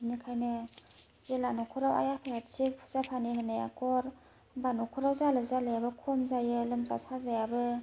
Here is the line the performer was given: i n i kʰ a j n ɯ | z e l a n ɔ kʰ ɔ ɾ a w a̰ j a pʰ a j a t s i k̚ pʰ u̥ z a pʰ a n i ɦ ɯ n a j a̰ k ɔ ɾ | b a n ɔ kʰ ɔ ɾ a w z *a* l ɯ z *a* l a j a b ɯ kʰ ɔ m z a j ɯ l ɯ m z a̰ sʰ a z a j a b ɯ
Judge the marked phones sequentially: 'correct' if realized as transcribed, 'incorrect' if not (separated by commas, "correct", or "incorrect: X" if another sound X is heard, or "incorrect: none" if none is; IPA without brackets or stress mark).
correct, correct